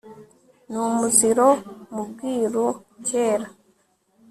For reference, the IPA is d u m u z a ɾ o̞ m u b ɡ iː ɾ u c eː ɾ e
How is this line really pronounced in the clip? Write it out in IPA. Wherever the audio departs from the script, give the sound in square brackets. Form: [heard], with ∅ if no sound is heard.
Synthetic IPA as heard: [n] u m u z [i] ɾ o̞ m u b ɡ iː ɾ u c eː ɾ [a]